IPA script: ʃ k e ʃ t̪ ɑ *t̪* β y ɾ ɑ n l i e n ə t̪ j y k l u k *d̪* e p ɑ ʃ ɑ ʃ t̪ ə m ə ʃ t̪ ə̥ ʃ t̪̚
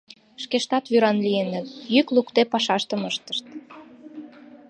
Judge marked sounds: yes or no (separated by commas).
yes, no